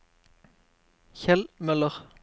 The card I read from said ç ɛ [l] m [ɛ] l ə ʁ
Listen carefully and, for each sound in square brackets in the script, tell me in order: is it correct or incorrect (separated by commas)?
correct, incorrect